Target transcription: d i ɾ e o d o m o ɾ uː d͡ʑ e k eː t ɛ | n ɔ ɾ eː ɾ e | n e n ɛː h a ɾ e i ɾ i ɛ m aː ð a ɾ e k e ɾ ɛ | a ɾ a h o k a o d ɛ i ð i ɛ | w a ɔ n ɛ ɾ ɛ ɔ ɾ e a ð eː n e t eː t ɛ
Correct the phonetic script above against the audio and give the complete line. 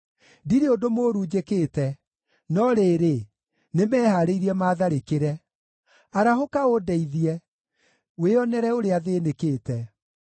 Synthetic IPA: d i ɾ e o d o m o ɾ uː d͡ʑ e k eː t ɛ | n ɔ ɾ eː ɾ e | n e m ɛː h a ɾ e i ɾ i ɛ m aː ð a ɾ e k e ɾ ɛ | a ɾ a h o k a o d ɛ i ð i ɛ | w e ɔ n ɛ ɾ ɛ o ɾ e a ð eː n e k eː t ɛ